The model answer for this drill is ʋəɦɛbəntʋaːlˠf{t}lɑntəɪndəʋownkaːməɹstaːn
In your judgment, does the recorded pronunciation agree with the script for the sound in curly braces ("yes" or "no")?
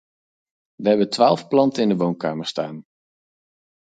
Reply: no